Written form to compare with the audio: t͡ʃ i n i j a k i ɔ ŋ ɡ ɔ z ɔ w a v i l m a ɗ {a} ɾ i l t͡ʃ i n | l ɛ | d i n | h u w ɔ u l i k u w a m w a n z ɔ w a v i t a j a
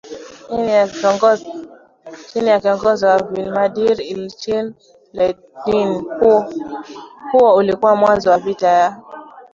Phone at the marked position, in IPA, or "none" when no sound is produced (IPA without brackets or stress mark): i